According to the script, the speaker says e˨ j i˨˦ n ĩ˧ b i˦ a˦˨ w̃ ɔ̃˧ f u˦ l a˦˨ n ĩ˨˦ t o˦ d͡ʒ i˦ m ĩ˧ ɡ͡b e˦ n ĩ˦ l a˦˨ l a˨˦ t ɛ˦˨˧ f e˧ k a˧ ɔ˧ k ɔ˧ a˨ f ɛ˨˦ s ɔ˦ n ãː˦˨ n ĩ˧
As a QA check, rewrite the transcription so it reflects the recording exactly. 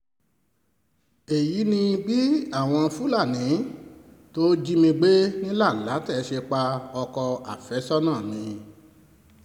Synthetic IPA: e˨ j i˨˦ n ĩ˧ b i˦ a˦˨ w̃ ɔ̃˧ f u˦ l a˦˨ n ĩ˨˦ t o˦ d͡ʒ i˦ m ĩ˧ ɡ͡b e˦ n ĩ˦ l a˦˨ l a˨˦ t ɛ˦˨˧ ʃ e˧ k͡p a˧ ɔ˧ k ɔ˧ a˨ f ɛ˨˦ s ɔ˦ n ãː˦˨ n ĩ˧

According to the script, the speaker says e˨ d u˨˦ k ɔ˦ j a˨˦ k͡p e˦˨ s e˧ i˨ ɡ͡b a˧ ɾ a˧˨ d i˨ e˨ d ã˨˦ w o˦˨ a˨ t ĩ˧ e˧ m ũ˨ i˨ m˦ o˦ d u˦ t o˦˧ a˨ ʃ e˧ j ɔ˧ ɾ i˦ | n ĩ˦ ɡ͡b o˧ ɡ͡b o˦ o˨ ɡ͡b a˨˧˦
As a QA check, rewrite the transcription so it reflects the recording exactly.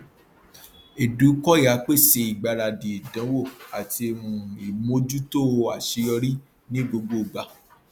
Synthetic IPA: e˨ d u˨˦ k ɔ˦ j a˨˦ k͡p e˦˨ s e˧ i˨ ɡ͡b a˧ ɾ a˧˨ d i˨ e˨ d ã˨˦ w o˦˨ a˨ t i˧ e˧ m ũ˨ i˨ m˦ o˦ d͡ʒ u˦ t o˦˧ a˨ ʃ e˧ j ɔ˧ ɾ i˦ | n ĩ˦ ɡ͡b o˧ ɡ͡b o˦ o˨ ɡ͡b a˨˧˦

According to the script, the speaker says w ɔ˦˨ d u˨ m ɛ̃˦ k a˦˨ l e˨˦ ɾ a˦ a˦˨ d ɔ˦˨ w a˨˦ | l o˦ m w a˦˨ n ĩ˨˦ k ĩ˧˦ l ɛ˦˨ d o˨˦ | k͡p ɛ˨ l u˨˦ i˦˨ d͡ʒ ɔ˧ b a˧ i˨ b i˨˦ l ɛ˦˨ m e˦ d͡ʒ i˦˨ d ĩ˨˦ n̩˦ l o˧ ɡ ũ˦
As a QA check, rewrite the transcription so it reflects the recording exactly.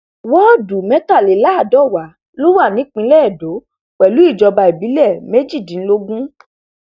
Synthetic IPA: w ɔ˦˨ d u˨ m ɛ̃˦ t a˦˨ l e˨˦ l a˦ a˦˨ d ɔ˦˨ w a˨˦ | l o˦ w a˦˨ n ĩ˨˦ k͡p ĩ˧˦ l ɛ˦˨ d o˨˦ | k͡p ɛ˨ l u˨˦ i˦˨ d͡ʒ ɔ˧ b a˧ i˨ b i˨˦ l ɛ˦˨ m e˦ d͡ʒ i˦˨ d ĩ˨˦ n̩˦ l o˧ ɡ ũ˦

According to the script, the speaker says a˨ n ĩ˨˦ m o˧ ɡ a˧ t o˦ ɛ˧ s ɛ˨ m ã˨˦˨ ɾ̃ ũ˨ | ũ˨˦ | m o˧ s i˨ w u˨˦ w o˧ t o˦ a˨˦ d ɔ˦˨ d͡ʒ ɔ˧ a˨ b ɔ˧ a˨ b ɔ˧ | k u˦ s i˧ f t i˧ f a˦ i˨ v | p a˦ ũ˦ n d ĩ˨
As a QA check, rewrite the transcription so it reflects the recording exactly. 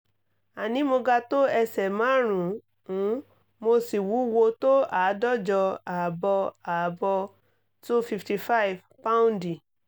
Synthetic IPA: a˨ n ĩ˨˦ m o˧ ɡ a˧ t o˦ ɛ˧ s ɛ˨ m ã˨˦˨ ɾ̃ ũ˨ | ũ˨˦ | m o˧ s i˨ w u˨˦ w o˧ t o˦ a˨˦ d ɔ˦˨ d͡ʒ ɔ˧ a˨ b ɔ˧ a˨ b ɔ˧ | t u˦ f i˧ f t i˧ f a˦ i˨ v | p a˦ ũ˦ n d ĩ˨

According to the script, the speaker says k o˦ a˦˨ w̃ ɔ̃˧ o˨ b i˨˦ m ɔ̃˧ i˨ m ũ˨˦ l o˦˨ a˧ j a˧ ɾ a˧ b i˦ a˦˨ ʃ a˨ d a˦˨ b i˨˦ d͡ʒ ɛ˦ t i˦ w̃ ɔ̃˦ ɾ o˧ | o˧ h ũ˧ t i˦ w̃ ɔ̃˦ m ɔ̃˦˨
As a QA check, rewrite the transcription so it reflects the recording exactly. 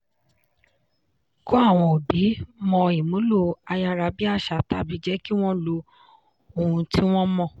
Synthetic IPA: k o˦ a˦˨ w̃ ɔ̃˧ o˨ b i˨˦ m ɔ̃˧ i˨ m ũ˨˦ l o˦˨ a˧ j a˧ ɾ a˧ b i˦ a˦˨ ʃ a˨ t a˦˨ b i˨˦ d͡ʒ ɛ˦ k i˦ w̃ ɔ̃˦ l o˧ | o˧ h ũ˧ t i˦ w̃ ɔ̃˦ m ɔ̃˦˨

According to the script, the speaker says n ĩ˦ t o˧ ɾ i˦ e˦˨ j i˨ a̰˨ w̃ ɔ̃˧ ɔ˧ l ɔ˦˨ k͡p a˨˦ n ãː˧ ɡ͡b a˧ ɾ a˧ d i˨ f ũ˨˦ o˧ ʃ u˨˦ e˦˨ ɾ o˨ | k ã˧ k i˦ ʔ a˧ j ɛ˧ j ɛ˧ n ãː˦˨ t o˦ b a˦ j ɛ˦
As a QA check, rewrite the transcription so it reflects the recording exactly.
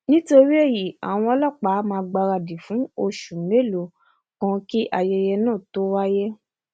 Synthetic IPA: n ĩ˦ t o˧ ɾ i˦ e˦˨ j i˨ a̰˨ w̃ ɔ̃˧ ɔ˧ l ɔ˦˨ k͡p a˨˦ m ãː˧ ɡ͡b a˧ ɾ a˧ d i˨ f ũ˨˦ o˧ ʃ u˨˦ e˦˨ l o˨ | k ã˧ k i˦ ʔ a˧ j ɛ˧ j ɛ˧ n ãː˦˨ t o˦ w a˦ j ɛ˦

